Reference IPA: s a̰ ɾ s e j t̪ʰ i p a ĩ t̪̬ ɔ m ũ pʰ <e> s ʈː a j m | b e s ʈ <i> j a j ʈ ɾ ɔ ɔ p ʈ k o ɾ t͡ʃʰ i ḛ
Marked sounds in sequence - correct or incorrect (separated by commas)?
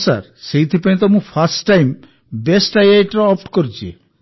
incorrect, incorrect